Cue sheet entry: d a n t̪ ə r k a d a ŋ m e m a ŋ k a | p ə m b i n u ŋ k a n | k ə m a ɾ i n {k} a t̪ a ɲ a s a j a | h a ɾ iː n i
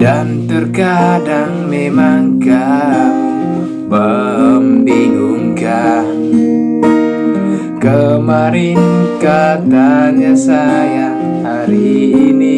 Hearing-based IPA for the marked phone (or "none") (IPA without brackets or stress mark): k